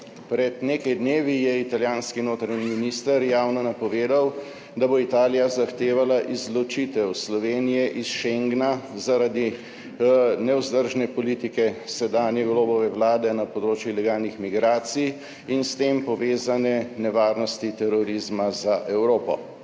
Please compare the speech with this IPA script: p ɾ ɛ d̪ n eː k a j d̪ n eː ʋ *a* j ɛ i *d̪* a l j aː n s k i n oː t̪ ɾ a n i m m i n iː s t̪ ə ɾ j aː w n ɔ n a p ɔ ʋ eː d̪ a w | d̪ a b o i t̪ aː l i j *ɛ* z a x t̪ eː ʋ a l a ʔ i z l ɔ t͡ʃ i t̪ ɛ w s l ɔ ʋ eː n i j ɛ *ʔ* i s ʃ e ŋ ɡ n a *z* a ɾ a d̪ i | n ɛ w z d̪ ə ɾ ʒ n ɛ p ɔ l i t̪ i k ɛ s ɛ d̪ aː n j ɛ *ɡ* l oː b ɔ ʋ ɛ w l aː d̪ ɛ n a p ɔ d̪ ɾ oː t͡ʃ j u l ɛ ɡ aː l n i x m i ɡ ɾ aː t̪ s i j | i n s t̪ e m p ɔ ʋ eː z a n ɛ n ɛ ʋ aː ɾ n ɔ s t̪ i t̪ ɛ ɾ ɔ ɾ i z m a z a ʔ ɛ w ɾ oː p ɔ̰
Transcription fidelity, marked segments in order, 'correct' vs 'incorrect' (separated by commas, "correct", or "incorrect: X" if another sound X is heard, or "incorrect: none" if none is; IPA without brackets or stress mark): incorrect: i, incorrect: t̪, incorrect: a, correct, correct, correct